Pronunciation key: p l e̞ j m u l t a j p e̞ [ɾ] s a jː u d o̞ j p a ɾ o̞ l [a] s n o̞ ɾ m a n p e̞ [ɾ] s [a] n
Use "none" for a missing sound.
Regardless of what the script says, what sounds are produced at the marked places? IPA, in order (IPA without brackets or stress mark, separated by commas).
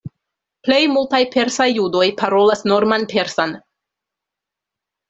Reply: ɾ, a, ɾ, a